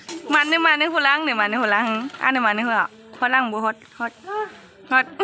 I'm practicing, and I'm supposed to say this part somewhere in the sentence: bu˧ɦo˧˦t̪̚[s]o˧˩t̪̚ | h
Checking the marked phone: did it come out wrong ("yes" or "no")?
yes